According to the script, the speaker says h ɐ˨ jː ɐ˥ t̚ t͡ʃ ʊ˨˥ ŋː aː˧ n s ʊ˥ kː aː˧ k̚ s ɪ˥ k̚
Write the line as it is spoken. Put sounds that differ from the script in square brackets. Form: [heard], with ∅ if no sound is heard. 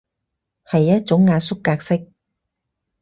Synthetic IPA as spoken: h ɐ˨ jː ɐ˥ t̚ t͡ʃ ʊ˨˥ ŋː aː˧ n s ʊ˥ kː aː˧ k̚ s ɪ˥ k̚